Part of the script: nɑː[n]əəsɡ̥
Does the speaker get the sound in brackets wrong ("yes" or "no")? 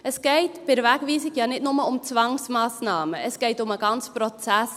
yes